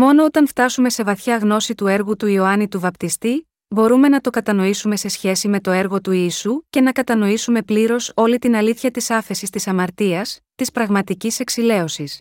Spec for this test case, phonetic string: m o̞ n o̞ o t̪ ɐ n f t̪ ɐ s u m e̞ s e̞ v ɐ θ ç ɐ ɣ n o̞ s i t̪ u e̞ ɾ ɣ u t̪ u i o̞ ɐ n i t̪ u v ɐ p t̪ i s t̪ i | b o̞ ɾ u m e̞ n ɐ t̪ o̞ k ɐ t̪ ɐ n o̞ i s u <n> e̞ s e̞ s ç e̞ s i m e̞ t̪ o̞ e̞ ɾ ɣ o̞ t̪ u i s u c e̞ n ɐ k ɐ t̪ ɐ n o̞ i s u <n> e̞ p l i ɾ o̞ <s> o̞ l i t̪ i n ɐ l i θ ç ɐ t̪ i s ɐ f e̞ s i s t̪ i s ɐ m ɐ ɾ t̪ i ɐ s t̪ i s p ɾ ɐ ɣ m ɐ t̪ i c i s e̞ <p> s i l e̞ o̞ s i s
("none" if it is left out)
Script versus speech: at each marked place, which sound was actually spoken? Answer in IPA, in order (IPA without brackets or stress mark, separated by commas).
m, m, s, k